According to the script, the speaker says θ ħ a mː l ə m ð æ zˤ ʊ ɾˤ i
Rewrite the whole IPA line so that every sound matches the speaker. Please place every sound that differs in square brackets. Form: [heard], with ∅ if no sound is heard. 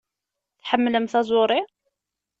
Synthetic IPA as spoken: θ ħ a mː l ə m [θ] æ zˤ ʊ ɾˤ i